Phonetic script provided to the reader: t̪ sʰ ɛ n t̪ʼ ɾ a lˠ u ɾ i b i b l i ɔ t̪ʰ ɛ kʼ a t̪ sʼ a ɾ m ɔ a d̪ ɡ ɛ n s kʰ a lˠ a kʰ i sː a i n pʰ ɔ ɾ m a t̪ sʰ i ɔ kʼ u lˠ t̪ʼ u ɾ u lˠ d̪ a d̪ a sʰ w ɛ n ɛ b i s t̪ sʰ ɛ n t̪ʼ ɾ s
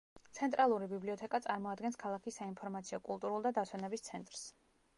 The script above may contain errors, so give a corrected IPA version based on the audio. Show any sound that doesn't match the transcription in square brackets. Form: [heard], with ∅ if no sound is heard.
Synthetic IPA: t̪ sʰ ɛ n t̪ʼ ɾ a lˠ u ɾ i b i b l i ɔ t̪ʰ ɛ kʼ a t̪ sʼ a ɾ m ɔ a d̪ ɡ ɛ n s kʰ a lˠ a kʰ i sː a i n pʰ ɔ ɾ m a t̪ sʰ i ɔ kʼ u lˠ t̪ʼ u ɾ u lˠ d̪ a d̪ a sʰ w ɛ n ɛ b i s t̪ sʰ ɛ n t̪ʼ ɾ s